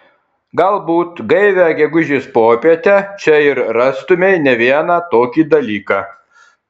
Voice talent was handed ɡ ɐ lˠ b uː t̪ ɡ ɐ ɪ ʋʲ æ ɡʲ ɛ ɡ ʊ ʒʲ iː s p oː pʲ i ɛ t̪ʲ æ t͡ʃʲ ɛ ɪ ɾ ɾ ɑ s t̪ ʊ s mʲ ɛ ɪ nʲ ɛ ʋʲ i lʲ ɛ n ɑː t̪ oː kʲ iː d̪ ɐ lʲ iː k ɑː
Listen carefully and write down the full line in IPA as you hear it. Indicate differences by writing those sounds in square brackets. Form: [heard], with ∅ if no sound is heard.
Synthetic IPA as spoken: ɡ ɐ lˠ b uː t̪ ɡ ɐ ɪ ʋʲ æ ɡʲ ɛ ɡ ʊ ʒʲ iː s p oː pʲ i ɛ t̪ʲ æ t͡ʃʲ ɛ ɪ ɾ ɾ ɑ s t̪ ʊ [∅] mʲ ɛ ɪ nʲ ɛ ʋʲ i [∅] ɛ n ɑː t̪ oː kʲ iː d̪ ɐ lʲ iː k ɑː

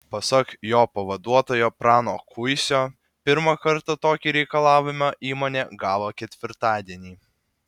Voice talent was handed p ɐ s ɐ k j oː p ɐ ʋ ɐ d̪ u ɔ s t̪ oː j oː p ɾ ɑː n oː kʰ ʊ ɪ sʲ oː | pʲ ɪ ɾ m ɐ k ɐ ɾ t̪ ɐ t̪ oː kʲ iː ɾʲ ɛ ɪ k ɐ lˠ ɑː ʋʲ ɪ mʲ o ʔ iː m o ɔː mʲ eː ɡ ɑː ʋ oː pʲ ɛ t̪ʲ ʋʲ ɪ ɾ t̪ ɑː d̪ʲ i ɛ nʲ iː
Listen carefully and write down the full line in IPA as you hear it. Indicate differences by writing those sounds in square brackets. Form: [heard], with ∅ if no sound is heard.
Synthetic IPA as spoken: p ɐ s ɐ k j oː p ɐ ʋ ɐ d̪ u ɔ [∅] t̪ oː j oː p ɾ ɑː n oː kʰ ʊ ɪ sʲ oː | pʲ ɪ ɾ m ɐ k ɐ ɾ t̪ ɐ t̪ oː kʲ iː ɾʲ ɛ ɪ k ɐ lˠ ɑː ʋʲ ɪ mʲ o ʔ iː m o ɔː [nʲ] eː ɡ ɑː ʋ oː [kʲ] ɛ t̪ʲ ʋʲ ɪ ɾ t̪ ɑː d̪ʲ i ɛ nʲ iː

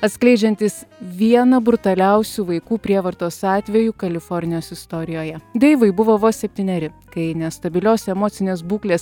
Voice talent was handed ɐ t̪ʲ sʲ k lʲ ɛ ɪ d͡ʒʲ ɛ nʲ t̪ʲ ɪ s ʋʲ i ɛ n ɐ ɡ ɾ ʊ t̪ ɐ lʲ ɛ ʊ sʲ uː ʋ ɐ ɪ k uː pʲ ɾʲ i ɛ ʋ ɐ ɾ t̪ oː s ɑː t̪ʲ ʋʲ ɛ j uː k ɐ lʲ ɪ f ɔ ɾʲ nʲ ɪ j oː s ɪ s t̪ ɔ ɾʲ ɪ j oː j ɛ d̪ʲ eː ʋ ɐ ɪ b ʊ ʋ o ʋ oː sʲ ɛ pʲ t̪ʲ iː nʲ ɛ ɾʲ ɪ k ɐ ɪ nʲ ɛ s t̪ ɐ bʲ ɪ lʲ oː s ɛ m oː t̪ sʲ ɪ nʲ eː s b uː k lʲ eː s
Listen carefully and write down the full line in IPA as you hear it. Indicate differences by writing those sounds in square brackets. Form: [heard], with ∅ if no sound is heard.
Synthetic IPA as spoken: ɐ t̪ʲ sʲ k lʲ ɛ ɪ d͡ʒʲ ɛ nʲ t̪ʲ ɪ s ʋʲ i ɛ n ɐ [b] ɾ ʊ t̪ ɐ lʲ ɛ ʊ sʲ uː ʋ ɐ ɪ k uː pʲ ɾʲ i ɛ ʋ ɐ ɾ t̪ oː s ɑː t̪ʲ ʋʲ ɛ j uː k ɐ lʲ ɪ f ɔ ɾʲ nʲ ɪ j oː s ɪ s t̪ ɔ ɾʲ ɪ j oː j ɛ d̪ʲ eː ʋ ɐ ɪ b ʊ ʋ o ʋ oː sʲ ɛ pʲ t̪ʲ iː nʲ ɛ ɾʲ ɪ k ɐ ɪ nʲ ɛ s t̪ ɐ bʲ ɪ lʲ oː s ɛ m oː t̪ sʲ ɪ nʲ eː s b uː k lʲ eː s

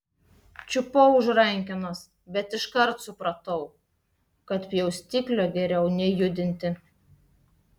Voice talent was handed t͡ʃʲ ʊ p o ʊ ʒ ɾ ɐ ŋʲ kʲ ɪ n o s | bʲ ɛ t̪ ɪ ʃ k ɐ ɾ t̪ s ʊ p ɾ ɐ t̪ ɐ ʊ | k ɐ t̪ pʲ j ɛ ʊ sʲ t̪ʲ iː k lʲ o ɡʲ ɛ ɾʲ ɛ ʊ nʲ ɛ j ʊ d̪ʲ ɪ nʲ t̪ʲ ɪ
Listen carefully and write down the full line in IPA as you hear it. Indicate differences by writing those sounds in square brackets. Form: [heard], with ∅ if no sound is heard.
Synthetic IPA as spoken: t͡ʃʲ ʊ p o ʊ ʒ ɾ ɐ ŋʲ kʲ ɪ n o s | bʲ ɛ t̪ ɪ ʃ k ɐ ɾ t̪ s ʊ p ɾ ɐ t̪ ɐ ʊ | k ɐ t̪ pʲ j ɛ ʊ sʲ t̪ʲ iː k lʲ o ɡʲ ɛ ɾʲ ɛ ʊ nʲ ɛ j ʊ d̪ʲ ɪ nʲ t̪ʲ ɪ

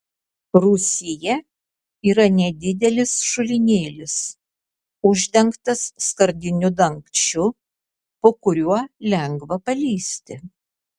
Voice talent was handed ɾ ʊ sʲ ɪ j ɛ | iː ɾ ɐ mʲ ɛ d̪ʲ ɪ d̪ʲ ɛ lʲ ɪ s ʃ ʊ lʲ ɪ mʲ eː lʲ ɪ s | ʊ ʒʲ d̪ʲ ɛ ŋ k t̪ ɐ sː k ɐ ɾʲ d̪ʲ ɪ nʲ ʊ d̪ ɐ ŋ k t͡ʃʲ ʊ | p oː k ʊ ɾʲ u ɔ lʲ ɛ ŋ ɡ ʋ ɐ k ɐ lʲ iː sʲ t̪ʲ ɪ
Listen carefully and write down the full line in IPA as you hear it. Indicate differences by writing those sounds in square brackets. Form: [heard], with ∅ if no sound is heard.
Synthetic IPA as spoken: ɾ ʊ sʲ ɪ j ɛ | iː ɾ ɐ [nʲ] ɛ d̪ʲ ɪ d̪ʲ ɛ lʲ ɪ s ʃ ʊ lʲ ɪ [nʲ] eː lʲ ɪ s | ʊ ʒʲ d̪ʲ ɛ ŋ k t̪ ɐ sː k ɐ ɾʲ d̪ʲ ɪ nʲ ʊ d̪ ɐ ŋ k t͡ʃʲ ʊ | p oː k ʊ ɾʲ u ɔ lʲ ɛ ŋ ɡ ʋ ɐ [p] ɐ lʲ iː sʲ t̪ʲ ɪ

